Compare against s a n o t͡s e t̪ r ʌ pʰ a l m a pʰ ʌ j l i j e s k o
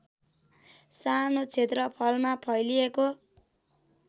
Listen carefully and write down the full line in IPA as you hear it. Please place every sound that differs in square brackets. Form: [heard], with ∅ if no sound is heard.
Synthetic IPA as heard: s a n o [t͡sʰ] e t̪ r ʌ pʰ [ʌ] l m a pʰ ʌ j l i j e [∅] k o